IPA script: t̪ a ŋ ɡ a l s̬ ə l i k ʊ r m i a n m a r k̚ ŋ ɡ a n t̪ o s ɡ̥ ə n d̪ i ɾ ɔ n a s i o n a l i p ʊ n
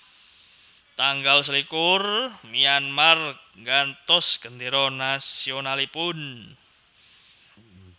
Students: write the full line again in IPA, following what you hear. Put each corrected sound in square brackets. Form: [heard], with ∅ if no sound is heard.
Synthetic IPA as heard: t̪ a ŋ ɡ a l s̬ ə l i k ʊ r m i a n m a r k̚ ŋ ɡ a n t̪ [ɔ] s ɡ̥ ə n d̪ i ɾ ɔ n a s i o n a l i p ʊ n